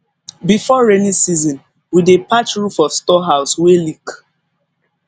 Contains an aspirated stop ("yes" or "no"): no